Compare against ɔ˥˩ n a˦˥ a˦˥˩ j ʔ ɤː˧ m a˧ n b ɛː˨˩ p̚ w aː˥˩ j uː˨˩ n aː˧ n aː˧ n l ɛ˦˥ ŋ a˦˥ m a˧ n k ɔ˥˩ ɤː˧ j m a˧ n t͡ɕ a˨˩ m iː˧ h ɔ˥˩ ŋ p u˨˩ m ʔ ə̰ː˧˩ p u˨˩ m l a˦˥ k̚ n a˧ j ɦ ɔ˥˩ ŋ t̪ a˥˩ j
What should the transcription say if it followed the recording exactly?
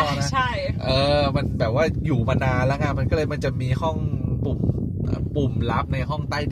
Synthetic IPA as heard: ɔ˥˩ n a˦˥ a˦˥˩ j ʔ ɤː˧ m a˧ n b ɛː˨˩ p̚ w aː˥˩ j uː˨˩ m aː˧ n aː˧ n l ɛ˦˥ ŋ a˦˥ m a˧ n k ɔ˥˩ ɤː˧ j m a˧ n t͡ɕ a˨˩ m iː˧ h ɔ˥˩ ŋ p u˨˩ m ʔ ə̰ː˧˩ p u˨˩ m l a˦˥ p̚ n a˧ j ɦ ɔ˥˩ ŋ t̪ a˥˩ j